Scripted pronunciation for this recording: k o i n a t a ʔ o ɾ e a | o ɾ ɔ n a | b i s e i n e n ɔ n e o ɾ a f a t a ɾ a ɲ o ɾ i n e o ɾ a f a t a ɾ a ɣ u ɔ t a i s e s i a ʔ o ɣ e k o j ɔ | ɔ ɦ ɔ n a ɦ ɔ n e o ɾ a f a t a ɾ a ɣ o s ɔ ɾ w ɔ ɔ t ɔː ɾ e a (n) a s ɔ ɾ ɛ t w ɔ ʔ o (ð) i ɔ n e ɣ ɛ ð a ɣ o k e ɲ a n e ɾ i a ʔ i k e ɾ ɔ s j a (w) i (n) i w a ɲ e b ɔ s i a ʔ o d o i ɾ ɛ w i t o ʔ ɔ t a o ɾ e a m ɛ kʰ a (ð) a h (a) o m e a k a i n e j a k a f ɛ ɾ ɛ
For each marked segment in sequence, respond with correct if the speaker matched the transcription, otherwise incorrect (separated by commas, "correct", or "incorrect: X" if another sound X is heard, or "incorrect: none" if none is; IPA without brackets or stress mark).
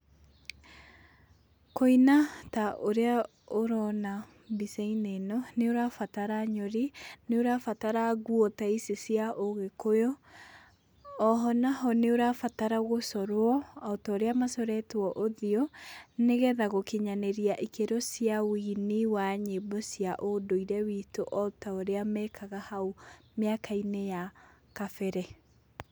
incorrect: m, correct, correct, correct, incorrect: ɣ, correct